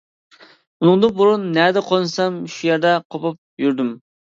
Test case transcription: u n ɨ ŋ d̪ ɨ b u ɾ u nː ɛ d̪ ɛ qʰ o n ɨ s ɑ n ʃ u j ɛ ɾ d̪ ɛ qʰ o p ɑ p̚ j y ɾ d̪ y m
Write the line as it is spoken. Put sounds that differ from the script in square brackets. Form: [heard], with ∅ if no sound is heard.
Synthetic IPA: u n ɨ ŋ d̪ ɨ b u ɾ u nː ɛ d̪ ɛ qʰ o n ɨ s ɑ [m] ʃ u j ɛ ɾ d̪ ɛ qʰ o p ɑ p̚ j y ɾ d̪ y m